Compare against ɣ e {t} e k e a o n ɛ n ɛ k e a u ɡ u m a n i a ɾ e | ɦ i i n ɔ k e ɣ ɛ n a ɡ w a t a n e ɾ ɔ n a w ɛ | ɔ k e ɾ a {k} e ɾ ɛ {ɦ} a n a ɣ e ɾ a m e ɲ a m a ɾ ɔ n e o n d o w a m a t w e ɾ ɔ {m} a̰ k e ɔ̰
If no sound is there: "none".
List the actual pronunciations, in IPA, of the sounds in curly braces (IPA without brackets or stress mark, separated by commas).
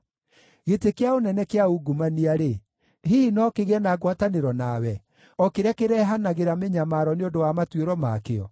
t, k, ɦ, m